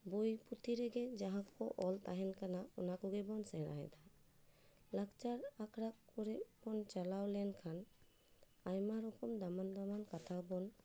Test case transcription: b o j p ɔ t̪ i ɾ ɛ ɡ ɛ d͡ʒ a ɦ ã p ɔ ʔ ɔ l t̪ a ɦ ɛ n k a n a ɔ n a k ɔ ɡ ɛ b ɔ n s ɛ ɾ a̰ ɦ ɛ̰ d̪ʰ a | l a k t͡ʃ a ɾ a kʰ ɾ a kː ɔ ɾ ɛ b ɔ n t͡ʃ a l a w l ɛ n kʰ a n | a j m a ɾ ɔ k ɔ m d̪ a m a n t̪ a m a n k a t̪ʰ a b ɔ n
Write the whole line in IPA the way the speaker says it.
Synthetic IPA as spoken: b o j p u t̪ i ɾ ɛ ɡ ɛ d͡ʒ a ɦ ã k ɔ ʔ ɔ l t̪ a ɦ ɛ n k a n a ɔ n a k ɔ ɡ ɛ b ɔ n s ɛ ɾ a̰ ɦ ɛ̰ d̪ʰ a | l a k t͡ʃ a ɾ a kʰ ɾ a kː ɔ ɾ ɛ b ɔ n t͡ʃ a l a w l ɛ n kʰ a n | a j m a ɾ ɔ k ɔ m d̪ a m a n d̪ a m a n k a t̪ʰ a b ɔ n